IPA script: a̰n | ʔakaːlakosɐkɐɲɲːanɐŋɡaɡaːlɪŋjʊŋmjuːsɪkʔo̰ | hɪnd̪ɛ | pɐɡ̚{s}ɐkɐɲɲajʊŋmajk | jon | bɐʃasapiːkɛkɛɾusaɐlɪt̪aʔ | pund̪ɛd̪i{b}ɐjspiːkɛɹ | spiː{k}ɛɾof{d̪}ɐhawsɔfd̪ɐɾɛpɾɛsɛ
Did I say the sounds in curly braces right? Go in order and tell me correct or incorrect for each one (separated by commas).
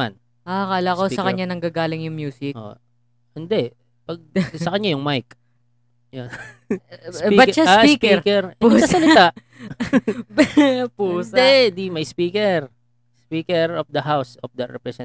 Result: correct, incorrect, correct, correct